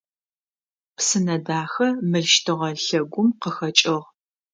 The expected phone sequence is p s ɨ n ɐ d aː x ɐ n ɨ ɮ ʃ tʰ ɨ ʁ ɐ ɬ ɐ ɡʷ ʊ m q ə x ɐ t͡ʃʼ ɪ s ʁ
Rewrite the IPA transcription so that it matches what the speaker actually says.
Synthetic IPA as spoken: p s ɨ n ɐ d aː x ɐ m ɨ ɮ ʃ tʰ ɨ ʁ ɐ ɬ ɐ ɡʷ ʊ m q ə x ɐ t͡ʃʼ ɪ ʁ